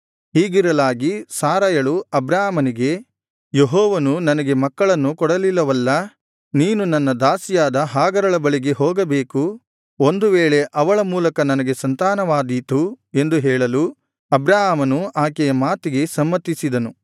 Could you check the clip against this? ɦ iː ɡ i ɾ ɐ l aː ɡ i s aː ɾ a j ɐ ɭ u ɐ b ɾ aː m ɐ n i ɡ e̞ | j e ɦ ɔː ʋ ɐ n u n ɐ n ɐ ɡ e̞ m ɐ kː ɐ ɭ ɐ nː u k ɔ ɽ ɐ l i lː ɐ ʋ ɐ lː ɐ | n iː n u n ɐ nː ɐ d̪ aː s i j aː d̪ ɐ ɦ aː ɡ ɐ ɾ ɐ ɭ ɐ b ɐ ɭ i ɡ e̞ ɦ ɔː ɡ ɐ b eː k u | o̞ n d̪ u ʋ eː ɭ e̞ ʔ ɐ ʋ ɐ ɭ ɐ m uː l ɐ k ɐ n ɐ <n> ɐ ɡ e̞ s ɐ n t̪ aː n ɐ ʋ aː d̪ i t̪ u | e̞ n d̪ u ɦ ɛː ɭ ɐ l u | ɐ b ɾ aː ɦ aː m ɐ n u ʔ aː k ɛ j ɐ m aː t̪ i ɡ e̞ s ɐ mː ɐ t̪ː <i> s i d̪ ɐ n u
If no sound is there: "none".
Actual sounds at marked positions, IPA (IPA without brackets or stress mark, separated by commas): n, i